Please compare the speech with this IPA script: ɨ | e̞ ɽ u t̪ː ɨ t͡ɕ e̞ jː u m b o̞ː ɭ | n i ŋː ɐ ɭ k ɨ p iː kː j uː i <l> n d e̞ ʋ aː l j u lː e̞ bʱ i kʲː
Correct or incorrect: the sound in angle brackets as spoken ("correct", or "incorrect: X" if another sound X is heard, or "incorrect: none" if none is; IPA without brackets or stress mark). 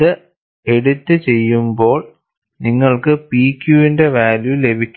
incorrect: none